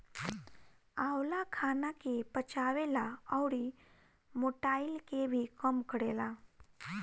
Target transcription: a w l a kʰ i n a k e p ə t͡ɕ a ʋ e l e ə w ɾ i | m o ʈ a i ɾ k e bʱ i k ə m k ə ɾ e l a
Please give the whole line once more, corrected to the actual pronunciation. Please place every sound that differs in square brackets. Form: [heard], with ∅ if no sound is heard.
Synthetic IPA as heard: a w l a kʰ [a] n a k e p ə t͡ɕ a ʋ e l [a] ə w [ɽ] i | m o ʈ a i [l] k e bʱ i k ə m k ə [ɽ] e l a